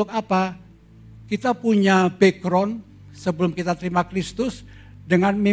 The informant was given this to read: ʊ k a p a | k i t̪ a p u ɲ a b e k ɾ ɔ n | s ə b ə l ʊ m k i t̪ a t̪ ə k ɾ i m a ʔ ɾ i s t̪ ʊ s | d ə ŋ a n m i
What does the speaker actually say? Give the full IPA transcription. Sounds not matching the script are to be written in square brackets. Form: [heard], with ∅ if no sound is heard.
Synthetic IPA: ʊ k a p a | k i t̪ a p u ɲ a b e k ɾ ɔ n | s ə b ə l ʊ m k i t̪ a t̪ ə [∅] ɾ i m a [k] ɾ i s t̪ ʊ s | d ə ŋ a n m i